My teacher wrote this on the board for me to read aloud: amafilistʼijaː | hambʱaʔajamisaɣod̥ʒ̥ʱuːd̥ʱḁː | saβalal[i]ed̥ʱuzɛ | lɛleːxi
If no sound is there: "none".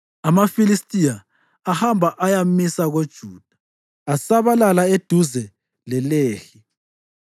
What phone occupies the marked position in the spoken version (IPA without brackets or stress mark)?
a